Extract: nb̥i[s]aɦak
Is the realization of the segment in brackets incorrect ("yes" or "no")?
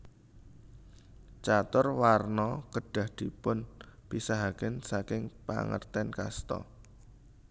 no